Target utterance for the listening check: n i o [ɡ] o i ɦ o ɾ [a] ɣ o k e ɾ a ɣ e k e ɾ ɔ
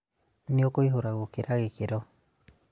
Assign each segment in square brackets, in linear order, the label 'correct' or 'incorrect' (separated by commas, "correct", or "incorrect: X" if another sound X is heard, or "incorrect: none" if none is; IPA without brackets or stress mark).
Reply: incorrect: k, correct